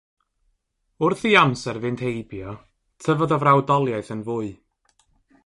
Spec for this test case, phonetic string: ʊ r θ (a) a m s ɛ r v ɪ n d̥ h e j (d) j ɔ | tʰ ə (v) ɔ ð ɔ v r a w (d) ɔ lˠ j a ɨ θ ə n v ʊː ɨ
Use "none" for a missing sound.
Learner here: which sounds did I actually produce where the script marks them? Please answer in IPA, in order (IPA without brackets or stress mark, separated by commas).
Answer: i, b, v, d